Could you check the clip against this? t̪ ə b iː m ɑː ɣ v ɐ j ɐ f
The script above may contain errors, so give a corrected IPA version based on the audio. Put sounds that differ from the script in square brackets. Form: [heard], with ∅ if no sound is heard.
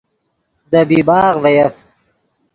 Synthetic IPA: [d̪] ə b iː [b] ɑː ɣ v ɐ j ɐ f